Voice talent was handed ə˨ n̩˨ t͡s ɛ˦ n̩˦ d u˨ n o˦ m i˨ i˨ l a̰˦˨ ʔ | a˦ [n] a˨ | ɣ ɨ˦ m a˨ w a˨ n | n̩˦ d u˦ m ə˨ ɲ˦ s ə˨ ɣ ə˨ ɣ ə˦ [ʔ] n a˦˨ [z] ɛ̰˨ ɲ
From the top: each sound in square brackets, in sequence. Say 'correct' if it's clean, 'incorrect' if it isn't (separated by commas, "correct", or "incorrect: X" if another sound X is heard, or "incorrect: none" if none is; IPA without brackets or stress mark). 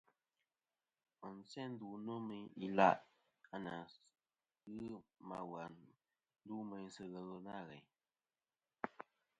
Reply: correct, incorrect: none, incorrect: ɣ